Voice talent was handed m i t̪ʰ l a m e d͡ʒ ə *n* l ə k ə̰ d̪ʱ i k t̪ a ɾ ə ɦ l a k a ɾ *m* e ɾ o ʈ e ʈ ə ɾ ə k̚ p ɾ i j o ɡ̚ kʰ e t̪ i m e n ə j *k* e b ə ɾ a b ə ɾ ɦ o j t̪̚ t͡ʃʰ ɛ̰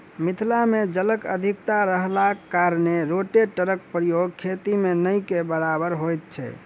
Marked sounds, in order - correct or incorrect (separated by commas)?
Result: incorrect, incorrect, correct